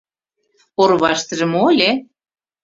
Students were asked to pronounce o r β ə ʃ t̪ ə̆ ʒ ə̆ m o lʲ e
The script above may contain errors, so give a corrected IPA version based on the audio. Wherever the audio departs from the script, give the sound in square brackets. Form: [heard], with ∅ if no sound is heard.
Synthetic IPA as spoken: o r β [ɑ] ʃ t̪ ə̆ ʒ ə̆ m o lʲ e